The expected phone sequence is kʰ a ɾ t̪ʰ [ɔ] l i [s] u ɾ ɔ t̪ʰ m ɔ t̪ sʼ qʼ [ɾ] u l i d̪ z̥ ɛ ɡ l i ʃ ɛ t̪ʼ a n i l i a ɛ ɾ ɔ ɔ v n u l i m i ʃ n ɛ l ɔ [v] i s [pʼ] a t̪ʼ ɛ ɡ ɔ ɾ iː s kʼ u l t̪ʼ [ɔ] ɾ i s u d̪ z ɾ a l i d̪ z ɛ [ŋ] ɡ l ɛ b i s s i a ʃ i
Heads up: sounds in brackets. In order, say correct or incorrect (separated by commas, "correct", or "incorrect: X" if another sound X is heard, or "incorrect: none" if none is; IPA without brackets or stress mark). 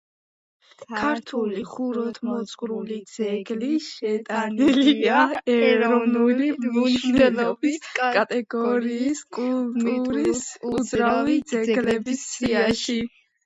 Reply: incorrect: u, incorrect: χ, correct, incorrect: b, incorrect: kʼ, incorrect: u, incorrect: ɡ